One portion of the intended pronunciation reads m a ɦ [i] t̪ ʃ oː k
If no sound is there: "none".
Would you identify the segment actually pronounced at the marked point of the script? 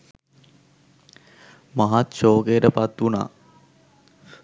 a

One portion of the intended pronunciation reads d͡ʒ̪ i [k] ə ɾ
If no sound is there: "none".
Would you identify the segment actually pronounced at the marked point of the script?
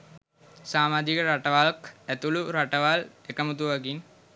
k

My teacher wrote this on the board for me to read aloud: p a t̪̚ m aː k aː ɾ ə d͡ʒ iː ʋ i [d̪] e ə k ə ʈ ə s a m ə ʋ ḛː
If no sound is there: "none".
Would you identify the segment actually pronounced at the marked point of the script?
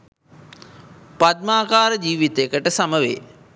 t̪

